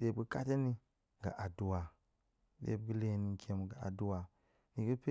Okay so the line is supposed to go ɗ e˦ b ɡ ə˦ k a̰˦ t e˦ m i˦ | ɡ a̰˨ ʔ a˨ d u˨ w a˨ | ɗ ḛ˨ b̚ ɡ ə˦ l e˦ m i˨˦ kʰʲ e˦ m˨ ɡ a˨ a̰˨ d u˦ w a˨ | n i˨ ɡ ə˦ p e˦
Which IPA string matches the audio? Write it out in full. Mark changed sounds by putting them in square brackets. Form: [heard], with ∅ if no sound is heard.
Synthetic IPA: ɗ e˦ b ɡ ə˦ k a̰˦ t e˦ [n] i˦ | ɡ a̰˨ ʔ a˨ d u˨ w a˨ | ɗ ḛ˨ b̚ ɡ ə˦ l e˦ [n] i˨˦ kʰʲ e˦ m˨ ɡ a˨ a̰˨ d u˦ w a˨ | n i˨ ɡ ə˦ p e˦